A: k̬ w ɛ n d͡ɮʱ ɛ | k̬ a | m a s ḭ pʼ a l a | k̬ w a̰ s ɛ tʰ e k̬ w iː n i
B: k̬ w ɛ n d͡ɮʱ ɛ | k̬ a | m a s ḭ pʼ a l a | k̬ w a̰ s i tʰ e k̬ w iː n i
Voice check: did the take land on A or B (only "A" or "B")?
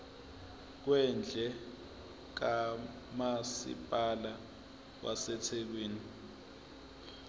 A